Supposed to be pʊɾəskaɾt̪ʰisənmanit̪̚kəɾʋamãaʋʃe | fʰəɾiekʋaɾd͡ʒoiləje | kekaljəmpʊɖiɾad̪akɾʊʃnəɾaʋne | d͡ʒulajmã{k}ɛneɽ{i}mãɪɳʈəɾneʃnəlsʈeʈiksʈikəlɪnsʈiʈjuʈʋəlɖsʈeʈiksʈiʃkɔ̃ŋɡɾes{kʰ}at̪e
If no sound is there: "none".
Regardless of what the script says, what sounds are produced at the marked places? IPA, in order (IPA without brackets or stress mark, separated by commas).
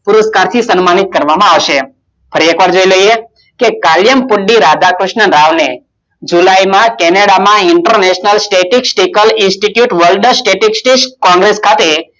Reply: k, a, kʰ